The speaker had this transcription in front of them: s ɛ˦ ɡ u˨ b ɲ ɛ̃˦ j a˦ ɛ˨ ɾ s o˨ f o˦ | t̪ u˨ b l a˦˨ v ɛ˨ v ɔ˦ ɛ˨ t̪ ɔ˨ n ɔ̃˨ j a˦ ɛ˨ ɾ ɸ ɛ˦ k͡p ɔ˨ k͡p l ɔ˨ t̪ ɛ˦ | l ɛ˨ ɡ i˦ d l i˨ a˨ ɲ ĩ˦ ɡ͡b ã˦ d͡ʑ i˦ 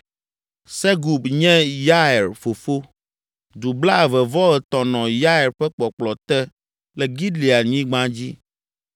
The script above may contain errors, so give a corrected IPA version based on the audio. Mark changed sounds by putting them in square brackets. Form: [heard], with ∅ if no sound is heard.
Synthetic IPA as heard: s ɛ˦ ɡ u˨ b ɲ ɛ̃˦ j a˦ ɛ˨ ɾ [f] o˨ f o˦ | [d̪] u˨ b l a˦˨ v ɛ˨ v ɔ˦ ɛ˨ t̪ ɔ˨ n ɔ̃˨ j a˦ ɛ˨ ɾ ɸ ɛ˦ k͡p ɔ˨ k͡p l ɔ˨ t̪ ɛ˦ | l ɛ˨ ɡ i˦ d l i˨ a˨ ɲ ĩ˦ ɡ͡b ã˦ d͡ʑ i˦